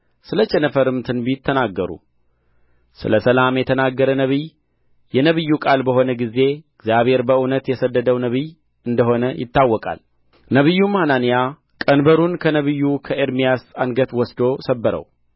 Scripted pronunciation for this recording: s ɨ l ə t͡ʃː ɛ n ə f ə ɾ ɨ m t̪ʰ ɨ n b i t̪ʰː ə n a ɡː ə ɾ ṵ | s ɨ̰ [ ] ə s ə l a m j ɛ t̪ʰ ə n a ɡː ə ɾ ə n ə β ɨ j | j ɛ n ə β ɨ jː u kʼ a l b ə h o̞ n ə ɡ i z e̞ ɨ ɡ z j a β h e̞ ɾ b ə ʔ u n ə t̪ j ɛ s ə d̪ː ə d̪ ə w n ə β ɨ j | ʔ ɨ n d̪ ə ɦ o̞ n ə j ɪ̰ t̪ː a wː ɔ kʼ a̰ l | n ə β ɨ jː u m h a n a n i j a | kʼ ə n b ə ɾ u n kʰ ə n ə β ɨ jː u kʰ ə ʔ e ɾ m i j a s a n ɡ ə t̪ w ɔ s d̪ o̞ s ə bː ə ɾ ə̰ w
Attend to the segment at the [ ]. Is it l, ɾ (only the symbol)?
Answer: l